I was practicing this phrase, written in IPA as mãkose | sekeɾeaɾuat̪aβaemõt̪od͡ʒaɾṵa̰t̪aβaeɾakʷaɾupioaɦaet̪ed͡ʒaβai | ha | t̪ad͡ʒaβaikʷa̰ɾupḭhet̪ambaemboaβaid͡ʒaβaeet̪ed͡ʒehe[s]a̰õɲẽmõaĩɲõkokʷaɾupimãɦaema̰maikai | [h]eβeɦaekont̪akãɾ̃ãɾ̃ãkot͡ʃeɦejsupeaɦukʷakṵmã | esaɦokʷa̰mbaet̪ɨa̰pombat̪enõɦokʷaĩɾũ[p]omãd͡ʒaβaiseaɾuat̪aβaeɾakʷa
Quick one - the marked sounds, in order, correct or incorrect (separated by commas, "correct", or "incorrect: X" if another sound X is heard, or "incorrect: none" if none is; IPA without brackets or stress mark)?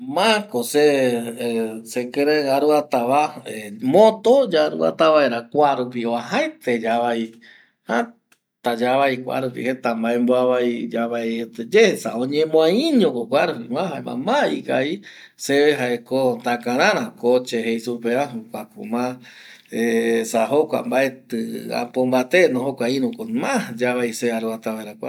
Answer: correct, incorrect: s, incorrect: k